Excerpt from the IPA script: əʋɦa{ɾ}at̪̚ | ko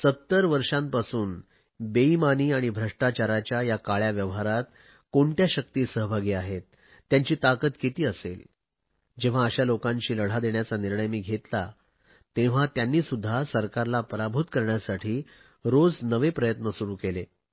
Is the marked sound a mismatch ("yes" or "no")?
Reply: no